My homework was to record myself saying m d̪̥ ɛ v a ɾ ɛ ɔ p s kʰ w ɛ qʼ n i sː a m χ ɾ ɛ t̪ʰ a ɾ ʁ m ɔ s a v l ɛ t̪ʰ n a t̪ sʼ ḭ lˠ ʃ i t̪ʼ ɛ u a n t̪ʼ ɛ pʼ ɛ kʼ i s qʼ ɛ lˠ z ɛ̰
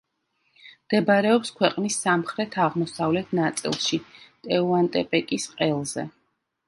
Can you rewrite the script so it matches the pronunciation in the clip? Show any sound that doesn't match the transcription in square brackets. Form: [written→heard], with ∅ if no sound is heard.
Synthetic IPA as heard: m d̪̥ ɛ [v→b] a ɾ ɛ ɔ p s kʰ w ɛ qʼ n i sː a m χ ɾ ɛ t̪ʰ a [ɾ→∅] ʁ m ɔ s a v l ɛ t̪ʰ n a t̪ sʼ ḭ lˠ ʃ i t̪ʼ ɛ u a n t̪ʼ ɛ pʼ ɛ kʼ i s qʼ ɛ lˠ z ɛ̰